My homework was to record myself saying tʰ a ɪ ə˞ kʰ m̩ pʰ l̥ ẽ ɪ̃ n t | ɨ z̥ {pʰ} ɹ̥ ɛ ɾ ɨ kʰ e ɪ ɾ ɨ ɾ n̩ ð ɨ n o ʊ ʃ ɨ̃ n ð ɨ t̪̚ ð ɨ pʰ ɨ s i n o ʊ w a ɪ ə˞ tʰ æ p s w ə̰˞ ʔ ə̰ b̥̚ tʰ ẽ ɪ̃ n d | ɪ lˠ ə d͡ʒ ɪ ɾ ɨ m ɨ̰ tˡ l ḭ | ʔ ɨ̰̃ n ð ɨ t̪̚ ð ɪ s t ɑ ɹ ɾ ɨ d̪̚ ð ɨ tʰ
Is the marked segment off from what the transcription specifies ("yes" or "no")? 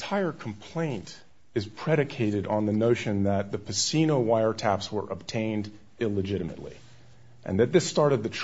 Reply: no